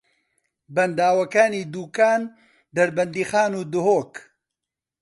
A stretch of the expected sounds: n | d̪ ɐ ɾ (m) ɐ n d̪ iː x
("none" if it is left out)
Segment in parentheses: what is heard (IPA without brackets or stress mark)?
b